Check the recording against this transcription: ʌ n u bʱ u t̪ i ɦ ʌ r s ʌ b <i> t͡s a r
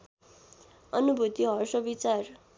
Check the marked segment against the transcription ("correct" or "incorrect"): correct